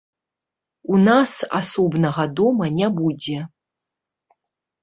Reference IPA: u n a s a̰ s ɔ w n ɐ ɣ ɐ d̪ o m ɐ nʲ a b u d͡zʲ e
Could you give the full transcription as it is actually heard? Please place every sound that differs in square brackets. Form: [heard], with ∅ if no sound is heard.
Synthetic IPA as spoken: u n a s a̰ s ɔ [b] n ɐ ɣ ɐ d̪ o m ɐ nʲ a b u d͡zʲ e